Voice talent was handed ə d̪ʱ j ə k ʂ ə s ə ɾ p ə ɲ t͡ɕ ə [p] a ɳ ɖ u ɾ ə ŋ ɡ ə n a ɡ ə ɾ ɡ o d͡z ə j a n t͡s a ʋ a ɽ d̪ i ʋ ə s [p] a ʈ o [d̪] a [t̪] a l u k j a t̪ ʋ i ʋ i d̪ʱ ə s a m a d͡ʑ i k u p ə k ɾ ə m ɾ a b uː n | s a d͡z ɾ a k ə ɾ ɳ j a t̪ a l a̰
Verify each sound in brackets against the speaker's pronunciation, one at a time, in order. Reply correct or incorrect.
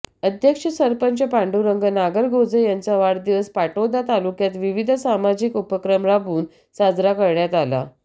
correct, correct, correct, correct

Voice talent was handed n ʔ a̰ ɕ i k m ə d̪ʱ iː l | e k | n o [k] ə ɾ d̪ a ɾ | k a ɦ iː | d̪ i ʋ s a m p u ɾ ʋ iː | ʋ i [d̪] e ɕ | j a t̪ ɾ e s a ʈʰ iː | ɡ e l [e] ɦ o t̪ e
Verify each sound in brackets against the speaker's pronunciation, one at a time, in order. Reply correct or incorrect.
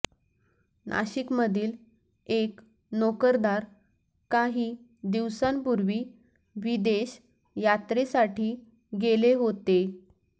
correct, correct, correct

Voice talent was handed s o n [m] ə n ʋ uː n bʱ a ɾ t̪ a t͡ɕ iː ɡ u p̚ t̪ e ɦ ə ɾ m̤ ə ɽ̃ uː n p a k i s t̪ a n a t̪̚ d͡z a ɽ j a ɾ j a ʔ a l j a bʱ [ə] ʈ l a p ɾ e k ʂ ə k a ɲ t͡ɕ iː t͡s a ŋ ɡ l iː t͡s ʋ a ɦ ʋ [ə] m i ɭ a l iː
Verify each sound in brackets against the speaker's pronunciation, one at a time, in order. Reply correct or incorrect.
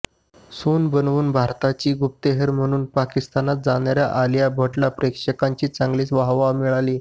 incorrect, correct, incorrect

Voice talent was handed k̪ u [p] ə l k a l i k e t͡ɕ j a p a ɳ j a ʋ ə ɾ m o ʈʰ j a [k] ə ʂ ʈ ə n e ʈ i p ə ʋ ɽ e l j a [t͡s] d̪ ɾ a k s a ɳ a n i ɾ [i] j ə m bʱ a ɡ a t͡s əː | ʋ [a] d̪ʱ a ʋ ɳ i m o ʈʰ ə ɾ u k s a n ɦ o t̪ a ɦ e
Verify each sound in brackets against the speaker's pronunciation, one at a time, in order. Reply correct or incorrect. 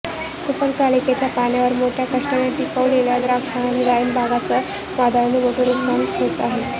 correct, correct, incorrect, incorrect, correct

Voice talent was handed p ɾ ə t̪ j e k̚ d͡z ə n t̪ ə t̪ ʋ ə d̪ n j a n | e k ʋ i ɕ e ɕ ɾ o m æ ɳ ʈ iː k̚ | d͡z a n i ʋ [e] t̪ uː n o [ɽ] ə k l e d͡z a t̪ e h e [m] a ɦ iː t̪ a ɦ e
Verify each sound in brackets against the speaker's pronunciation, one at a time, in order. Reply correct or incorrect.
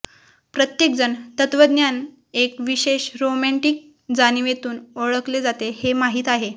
correct, incorrect, correct

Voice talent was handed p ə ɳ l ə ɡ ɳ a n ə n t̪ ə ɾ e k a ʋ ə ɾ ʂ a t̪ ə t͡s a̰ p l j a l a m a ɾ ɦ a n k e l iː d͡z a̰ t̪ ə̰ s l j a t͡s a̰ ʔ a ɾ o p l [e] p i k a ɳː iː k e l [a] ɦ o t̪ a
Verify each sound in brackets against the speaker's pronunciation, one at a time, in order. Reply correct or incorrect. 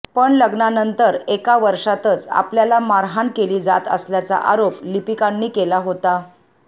incorrect, correct

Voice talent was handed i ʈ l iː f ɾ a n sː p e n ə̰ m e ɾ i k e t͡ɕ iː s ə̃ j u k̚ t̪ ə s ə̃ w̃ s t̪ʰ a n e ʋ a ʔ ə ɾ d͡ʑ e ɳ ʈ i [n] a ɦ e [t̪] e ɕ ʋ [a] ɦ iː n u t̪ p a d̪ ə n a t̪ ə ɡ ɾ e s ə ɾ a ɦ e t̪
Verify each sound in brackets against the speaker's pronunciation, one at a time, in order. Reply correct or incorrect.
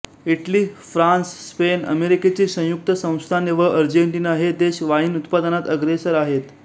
correct, incorrect, correct

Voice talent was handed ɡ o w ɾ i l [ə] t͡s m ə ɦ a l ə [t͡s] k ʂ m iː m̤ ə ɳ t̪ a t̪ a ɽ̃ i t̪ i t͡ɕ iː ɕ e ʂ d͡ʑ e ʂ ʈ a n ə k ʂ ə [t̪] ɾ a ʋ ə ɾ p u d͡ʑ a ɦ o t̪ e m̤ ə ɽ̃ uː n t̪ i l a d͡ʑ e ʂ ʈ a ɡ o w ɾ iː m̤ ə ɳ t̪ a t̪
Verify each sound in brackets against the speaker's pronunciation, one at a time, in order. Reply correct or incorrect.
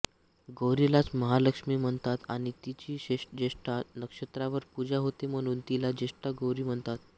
incorrect, incorrect, correct

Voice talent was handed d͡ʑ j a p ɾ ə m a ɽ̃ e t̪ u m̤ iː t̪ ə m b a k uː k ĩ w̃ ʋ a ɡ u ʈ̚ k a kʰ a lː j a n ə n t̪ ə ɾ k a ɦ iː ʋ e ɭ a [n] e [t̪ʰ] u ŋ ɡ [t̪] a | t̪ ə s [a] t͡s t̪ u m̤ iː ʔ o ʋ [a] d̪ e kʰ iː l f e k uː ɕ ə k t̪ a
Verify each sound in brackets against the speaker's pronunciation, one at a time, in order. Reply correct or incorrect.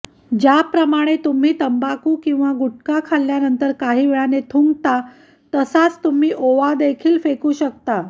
correct, correct, correct, correct, correct

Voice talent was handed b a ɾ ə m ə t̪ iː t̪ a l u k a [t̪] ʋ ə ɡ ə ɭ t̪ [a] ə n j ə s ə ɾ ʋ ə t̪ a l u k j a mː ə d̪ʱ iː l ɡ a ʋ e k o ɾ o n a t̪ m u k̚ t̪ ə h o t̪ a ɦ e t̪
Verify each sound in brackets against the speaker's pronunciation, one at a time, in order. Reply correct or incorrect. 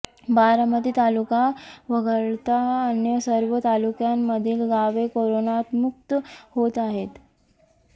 incorrect, correct

